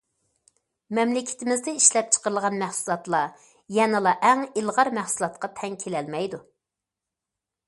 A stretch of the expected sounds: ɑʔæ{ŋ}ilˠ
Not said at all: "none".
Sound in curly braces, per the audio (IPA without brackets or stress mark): ŋ